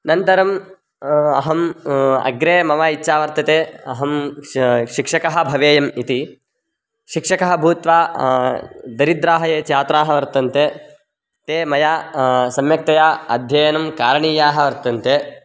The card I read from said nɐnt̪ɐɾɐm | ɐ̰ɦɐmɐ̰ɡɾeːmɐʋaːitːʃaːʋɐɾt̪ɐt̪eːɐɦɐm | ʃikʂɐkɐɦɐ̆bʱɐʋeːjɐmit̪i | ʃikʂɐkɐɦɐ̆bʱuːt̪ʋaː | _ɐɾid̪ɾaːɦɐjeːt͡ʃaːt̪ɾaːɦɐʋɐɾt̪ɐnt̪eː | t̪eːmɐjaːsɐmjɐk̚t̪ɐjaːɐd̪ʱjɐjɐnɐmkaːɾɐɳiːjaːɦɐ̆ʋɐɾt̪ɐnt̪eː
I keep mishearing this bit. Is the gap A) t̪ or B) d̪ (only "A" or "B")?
B